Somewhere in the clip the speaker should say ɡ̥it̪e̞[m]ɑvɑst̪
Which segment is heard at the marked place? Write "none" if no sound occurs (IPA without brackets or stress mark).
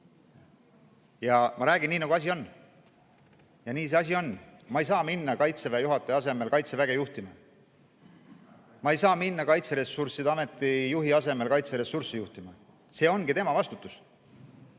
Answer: m